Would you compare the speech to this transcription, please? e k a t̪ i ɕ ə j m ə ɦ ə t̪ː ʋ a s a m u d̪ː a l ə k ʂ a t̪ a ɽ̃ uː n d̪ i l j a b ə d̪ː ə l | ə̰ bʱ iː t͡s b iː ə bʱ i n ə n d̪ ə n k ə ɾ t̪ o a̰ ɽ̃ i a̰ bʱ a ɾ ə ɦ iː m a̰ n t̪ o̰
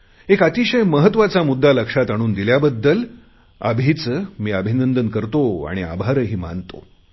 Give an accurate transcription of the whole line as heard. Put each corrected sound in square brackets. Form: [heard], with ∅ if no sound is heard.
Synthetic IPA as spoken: e k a t̪ i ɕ ə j m ə ɦ ə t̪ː ʋ a [t͡s] a m u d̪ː a l ə k ʂ a t̪ a ɽ̃ uː n d̪ i l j a b ə d̪ː ə l | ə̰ bʱ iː t͡s [m] iː ə bʱ i n ə n d̪ ə n k ə ɾ t̪ o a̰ ɽ̃ i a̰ bʱ a ɾ ə ɦ iː m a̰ n t̪ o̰